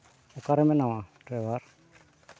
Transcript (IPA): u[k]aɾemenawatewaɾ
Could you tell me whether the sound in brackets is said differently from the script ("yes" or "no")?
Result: no